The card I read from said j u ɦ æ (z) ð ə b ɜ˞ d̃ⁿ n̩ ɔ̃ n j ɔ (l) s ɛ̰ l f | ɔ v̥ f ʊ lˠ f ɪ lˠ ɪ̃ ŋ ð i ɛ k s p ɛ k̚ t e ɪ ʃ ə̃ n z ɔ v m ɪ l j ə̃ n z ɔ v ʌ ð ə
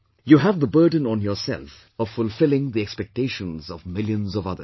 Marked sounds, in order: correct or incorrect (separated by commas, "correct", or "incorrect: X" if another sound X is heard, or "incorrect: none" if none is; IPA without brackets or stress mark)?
incorrect: v, incorrect: none